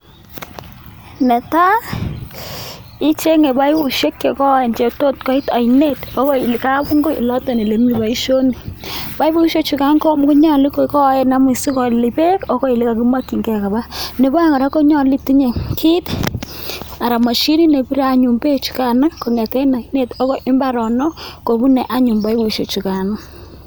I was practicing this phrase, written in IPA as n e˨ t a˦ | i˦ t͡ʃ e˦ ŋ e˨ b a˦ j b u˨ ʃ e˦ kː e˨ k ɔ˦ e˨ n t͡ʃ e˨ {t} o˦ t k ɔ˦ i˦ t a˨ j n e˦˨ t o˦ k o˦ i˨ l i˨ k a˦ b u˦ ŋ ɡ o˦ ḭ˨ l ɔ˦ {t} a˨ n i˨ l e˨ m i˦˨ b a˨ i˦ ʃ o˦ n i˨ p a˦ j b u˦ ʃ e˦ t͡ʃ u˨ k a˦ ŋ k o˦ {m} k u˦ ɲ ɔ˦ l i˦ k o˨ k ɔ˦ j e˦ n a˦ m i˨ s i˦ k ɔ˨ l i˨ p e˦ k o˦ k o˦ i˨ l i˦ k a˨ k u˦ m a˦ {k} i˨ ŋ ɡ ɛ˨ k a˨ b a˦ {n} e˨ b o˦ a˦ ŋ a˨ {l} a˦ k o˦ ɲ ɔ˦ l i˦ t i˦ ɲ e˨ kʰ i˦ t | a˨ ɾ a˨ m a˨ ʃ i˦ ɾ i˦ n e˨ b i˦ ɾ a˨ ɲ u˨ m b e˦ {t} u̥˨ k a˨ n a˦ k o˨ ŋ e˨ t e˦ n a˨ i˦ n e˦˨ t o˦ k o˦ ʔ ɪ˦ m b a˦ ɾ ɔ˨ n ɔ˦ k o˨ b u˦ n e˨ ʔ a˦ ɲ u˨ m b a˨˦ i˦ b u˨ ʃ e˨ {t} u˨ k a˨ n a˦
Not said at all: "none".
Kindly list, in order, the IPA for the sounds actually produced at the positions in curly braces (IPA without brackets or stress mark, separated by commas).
t, t, m, k, n, ɾ, t͡ʃ, t͡ʃ